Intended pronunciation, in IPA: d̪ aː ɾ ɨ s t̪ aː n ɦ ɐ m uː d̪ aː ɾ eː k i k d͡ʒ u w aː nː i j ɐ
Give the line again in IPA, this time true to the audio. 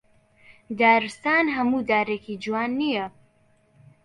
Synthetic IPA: d̪ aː ɾ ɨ s t̪ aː n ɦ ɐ m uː d̪ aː ɾ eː k i d͡ʒ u w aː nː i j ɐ

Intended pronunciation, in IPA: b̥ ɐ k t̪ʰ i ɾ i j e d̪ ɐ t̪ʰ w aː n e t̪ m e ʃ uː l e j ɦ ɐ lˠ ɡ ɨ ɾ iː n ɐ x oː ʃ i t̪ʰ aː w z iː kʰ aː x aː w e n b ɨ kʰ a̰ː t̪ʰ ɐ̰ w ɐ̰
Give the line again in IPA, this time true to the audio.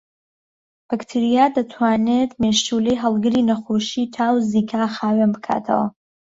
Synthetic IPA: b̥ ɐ k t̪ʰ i ɾ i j a d̪ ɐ t̪ʰ w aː n e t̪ m e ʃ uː l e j ɦ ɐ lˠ ɡ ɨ ɾ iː n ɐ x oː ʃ i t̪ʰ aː w z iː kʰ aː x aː w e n b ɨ kʰ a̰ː t̪ʰ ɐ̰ w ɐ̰

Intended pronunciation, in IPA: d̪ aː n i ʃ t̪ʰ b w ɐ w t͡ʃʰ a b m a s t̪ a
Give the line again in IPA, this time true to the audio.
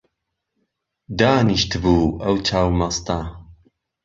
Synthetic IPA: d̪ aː n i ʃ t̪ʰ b u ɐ w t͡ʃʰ a w m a s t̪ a

